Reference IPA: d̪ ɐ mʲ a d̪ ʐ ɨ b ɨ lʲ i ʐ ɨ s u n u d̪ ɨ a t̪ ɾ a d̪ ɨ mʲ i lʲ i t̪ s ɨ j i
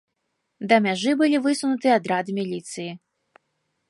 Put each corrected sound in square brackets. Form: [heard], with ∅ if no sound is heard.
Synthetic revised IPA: d̪ ɐ mʲ a [∅] ʐ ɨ b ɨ lʲ i [v] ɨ s u n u [t̪] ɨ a [d̪] ɾ a d̪ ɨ mʲ i lʲ i t̪ s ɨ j i